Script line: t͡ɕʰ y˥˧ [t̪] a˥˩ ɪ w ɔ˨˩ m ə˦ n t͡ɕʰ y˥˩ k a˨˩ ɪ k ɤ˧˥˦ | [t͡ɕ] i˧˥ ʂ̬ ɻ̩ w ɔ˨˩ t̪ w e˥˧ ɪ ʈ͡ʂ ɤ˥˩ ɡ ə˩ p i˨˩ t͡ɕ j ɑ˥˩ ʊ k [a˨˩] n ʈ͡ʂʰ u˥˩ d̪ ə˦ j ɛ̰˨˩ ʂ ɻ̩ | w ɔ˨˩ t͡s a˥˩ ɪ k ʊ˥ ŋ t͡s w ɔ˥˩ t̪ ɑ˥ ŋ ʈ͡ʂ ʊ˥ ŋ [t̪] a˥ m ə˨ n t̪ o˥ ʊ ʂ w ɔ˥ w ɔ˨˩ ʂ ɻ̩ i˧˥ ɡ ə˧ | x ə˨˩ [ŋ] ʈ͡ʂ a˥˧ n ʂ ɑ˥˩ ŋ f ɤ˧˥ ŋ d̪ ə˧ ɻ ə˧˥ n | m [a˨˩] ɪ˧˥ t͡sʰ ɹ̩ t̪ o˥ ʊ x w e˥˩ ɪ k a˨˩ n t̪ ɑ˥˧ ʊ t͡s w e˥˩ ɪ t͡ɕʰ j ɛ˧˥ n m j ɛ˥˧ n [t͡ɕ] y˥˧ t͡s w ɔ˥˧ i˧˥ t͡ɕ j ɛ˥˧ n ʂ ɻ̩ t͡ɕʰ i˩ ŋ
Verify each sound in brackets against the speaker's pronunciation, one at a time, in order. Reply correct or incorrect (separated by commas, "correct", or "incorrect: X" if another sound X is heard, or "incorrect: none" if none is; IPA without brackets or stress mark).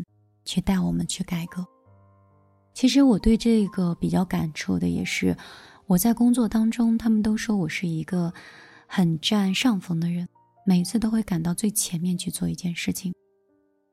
correct, incorrect: t͡ɕʰ, correct, incorrect: t̪ʰ, incorrect: n, incorrect: e˨˩, incorrect: t͡ɕʰ